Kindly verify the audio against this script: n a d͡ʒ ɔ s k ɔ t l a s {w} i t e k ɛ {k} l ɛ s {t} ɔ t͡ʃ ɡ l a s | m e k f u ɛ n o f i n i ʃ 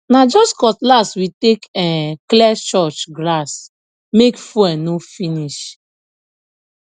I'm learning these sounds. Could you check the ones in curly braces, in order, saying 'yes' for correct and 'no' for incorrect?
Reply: yes, yes, no

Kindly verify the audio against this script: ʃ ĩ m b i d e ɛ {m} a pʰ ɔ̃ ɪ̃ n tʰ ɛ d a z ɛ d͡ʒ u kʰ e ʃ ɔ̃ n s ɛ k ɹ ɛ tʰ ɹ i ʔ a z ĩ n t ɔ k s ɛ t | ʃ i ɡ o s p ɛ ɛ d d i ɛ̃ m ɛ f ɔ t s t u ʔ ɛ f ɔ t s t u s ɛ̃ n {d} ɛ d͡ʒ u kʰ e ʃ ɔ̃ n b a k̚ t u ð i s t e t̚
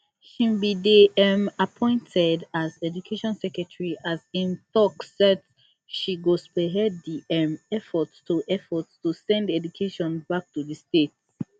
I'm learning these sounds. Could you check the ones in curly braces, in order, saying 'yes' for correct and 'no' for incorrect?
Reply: yes, yes

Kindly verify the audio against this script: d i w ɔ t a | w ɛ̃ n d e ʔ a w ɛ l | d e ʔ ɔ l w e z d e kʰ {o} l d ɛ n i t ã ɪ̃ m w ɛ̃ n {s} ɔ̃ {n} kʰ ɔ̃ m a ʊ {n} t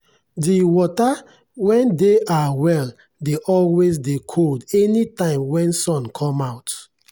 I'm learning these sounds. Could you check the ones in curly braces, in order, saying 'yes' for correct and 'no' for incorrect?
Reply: yes, yes, yes, no

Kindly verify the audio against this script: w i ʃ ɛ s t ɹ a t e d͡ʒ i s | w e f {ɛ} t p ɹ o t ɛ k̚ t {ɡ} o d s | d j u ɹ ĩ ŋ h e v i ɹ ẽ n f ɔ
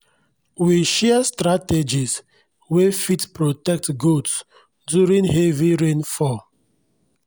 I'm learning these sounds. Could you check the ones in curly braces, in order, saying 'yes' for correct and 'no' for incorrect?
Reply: no, yes

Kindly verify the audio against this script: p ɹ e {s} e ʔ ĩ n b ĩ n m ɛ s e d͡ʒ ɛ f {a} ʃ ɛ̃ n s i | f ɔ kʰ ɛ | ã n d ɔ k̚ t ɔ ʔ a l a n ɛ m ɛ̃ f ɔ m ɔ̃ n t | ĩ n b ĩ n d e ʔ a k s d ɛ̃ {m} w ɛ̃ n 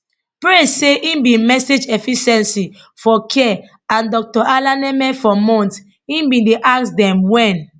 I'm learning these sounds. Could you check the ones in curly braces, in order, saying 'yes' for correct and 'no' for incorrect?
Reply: yes, no, yes

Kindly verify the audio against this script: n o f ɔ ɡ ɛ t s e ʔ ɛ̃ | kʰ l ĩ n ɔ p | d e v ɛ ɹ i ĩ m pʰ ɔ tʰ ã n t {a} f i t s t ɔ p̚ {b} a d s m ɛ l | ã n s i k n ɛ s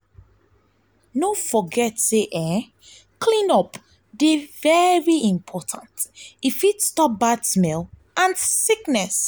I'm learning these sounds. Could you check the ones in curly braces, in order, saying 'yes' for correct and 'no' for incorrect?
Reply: no, yes

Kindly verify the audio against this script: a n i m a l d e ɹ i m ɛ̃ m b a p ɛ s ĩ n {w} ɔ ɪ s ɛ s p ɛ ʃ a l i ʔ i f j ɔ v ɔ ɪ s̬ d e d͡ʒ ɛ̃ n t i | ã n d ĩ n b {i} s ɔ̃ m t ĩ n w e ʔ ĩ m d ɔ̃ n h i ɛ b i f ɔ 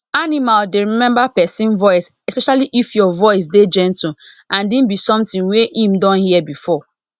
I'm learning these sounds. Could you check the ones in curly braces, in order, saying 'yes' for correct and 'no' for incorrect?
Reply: no, yes

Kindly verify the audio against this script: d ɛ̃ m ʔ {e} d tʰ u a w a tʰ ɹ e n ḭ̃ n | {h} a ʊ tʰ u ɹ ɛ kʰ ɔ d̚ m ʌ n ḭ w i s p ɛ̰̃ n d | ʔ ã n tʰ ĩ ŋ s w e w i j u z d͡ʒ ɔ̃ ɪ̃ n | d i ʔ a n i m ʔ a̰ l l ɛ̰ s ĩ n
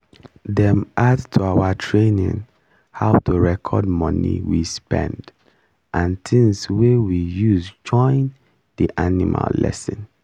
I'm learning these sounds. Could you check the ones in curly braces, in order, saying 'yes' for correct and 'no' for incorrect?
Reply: no, yes

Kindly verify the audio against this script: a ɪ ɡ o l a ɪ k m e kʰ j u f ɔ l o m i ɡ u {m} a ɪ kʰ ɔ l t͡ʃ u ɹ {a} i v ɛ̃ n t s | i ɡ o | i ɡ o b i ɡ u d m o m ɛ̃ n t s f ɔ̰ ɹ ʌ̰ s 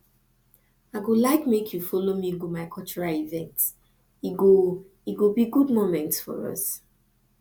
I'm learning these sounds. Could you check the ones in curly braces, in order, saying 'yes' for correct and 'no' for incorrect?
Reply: yes, yes

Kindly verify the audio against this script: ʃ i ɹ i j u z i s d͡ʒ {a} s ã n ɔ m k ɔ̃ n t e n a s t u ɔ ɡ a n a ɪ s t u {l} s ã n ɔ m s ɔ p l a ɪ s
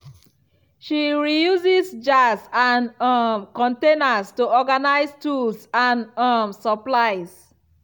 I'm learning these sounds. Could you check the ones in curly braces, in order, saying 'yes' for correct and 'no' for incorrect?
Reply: yes, yes

